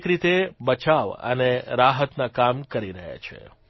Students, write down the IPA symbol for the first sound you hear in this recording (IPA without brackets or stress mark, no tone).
k